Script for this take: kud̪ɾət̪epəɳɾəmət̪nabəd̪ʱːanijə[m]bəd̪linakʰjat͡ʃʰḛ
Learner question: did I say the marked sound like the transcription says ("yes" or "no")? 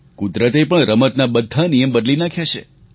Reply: yes